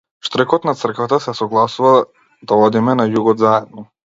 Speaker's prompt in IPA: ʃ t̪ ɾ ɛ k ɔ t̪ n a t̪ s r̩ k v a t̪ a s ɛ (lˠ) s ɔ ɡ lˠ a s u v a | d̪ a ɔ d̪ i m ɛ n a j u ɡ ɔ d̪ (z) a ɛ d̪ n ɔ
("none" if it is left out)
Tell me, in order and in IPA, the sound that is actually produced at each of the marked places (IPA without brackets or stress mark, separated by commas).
none, z